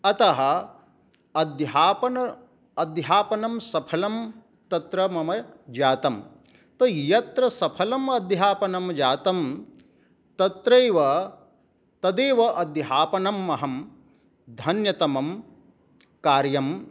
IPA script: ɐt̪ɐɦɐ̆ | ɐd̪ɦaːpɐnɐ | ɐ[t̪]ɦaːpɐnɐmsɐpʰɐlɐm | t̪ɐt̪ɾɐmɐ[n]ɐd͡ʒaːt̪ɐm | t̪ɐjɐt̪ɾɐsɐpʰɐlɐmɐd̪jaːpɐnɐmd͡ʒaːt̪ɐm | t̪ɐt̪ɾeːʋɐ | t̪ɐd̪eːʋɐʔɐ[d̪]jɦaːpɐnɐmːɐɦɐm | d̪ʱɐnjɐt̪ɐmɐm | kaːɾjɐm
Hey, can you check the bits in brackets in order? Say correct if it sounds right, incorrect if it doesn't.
incorrect, incorrect, correct

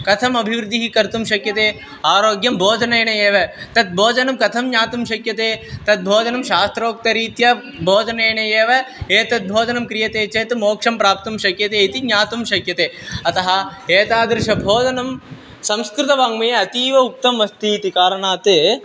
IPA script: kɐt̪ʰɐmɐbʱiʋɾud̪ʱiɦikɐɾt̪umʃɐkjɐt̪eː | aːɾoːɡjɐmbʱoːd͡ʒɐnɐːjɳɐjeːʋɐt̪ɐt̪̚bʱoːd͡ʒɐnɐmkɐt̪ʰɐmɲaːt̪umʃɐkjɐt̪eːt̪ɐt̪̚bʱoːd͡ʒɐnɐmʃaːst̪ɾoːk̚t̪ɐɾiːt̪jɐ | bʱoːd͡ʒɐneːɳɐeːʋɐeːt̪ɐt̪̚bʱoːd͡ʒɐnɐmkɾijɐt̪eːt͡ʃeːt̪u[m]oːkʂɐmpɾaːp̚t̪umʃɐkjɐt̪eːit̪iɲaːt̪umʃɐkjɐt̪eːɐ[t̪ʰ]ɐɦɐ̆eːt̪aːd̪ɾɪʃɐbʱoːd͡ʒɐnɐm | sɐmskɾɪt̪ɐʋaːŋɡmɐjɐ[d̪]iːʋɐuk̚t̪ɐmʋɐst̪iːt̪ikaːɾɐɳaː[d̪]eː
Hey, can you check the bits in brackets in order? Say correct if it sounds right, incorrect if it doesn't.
correct, incorrect, incorrect, incorrect

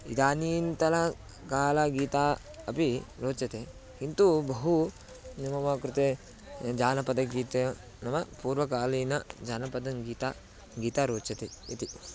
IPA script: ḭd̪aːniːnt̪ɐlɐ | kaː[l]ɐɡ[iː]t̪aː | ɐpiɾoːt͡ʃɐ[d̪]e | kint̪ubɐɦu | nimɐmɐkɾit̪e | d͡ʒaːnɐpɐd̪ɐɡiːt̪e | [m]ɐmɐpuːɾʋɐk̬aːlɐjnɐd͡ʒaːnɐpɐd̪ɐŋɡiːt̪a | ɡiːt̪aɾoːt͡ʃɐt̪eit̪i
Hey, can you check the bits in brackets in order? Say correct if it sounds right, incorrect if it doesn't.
correct, correct, incorrect, incorrect

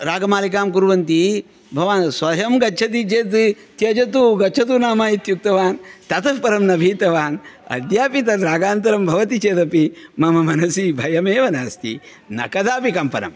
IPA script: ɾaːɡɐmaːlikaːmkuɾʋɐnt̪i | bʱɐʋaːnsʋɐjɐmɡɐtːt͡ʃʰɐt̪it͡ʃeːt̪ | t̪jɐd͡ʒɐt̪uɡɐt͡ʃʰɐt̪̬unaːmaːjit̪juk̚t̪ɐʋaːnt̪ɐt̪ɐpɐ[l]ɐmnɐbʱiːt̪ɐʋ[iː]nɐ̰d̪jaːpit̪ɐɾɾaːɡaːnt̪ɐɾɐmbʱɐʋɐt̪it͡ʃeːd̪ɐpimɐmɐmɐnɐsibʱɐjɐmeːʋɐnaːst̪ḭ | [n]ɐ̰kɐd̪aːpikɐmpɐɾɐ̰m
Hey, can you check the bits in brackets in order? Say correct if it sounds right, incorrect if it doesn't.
incorrect, incorrect, correct

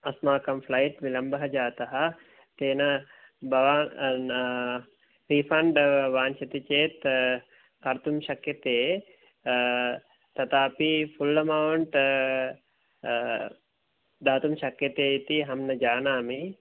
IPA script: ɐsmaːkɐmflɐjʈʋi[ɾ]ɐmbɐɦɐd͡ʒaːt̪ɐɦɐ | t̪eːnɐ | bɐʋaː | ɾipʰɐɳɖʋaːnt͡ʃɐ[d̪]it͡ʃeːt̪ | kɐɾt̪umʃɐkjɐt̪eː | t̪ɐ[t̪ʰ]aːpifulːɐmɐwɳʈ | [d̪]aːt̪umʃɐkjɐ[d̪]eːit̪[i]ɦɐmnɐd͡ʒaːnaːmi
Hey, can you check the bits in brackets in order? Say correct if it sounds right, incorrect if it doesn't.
incorrect, incorrect, incorrect, correct, incorrect, correct

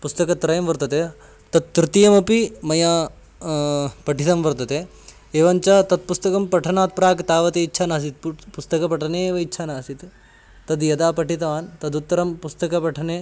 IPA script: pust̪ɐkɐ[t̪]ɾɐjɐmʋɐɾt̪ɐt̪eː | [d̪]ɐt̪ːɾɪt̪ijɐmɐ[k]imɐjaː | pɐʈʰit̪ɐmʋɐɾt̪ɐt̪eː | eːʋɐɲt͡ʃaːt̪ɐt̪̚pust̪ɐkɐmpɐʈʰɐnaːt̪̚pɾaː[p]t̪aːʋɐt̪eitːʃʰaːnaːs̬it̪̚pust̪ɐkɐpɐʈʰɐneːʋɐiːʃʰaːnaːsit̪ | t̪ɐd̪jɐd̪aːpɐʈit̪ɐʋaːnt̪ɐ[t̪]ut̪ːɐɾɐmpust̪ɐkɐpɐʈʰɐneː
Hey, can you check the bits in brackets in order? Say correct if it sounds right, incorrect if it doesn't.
correct, incorrect, incorrect, incorrect, incorrect

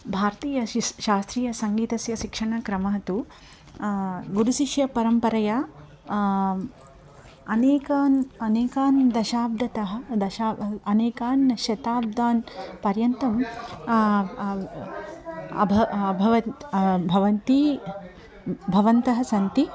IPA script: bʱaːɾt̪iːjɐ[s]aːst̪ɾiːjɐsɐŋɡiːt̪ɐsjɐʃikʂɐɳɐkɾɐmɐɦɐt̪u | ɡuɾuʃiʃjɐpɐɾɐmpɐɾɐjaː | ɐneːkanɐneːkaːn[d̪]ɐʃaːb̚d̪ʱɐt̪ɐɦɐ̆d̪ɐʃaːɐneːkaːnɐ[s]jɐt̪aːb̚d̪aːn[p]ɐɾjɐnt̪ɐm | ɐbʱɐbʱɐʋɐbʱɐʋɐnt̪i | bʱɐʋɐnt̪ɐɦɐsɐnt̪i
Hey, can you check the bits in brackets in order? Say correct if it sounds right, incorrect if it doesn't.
incorrect, correct, incorrect, correct

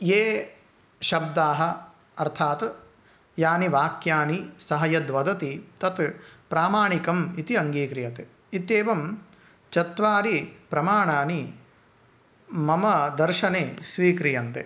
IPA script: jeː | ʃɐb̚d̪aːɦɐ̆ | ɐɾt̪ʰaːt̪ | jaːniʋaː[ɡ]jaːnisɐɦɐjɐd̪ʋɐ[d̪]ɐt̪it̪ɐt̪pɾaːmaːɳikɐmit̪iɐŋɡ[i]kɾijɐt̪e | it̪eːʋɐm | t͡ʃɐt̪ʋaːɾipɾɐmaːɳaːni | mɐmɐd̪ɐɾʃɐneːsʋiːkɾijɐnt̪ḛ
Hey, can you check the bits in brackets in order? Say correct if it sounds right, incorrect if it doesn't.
incorrect, correct, incorrect

